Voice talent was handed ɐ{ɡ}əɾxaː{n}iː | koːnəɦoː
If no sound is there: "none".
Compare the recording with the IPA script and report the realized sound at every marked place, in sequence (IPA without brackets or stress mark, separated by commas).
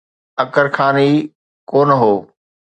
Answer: k, n